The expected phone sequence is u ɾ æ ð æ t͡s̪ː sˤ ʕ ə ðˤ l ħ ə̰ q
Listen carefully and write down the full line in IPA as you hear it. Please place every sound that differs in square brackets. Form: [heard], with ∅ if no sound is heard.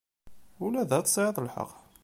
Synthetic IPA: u [l] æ ð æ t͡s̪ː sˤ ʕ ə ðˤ l ħ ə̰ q

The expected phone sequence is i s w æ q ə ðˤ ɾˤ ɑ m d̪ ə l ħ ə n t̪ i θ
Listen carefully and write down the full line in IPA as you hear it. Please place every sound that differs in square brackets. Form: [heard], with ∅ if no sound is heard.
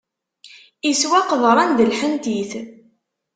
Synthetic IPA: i s w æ q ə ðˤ ɾˤ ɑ [n] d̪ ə l ħ ə n t̪ i θ

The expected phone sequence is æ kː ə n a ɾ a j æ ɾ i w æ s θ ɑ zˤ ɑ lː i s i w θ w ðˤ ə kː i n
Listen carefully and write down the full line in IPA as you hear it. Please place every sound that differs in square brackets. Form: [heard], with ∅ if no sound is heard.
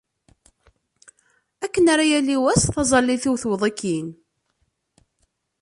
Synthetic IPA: æ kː ə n a ɾ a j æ [l] i w æ s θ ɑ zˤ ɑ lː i [θ] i w θ w ðˤ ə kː i n

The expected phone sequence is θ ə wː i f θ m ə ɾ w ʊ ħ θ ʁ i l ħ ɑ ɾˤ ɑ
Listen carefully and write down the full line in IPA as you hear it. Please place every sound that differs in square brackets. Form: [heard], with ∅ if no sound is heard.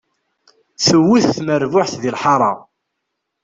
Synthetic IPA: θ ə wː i [θ] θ m ə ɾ [v] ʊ ħ θ [ð] i l ħ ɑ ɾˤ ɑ

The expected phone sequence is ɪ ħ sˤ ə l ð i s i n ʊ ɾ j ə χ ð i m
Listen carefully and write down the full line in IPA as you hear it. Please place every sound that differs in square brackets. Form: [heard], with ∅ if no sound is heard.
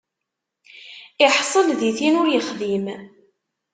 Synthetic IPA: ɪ ħ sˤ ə l ð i [θ] i n ʊ ɾ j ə χ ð i m

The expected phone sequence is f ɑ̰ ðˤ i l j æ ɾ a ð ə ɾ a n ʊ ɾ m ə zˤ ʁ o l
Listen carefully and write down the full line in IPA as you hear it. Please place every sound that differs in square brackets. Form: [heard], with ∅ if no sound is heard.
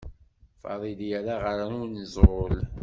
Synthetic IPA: f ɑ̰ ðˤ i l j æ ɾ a [ʁ] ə ɾ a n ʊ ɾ [n] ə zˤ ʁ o l

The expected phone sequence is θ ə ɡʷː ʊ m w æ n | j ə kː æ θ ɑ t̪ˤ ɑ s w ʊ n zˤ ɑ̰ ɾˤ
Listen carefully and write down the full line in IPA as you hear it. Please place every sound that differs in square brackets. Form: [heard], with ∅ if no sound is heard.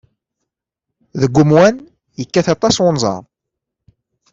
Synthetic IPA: [ð] ə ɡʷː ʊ m w æ n | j ə kː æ θ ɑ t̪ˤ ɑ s w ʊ n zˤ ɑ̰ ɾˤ

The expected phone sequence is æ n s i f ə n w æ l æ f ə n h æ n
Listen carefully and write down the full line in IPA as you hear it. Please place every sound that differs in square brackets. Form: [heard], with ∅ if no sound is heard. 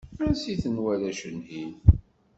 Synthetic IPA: æ n s i [θ] ə n w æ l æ [ʃ] ə n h [i] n

